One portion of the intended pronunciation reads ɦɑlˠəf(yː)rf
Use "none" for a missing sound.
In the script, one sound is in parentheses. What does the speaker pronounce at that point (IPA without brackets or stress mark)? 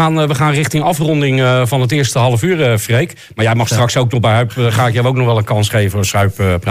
yː